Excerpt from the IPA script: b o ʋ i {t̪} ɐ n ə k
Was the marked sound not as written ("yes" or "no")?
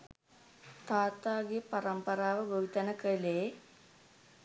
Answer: no